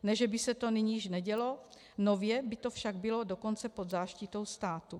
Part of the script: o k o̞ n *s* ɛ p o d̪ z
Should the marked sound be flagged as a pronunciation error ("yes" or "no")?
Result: yes